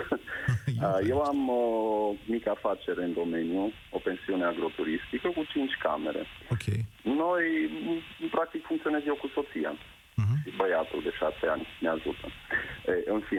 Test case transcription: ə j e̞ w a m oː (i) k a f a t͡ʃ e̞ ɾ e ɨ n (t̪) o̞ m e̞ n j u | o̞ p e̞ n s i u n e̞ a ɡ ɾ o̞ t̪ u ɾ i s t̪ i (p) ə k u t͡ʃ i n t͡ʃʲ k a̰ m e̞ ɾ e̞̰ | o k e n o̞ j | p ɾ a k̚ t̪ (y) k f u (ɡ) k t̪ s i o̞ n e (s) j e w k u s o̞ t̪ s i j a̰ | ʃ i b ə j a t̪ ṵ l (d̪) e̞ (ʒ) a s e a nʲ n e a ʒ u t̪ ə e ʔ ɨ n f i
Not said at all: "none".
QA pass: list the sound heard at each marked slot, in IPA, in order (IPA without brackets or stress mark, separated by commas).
i, d̪, k, i, ŋ, z, d̪, ʃ